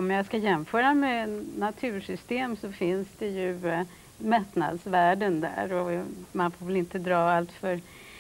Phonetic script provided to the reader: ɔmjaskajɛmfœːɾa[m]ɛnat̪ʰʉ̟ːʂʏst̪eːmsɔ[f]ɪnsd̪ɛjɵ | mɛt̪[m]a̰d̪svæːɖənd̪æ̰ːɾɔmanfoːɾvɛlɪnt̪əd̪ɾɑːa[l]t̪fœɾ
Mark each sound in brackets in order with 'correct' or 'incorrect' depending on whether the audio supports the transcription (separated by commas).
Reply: correct, correct, incorrect, correct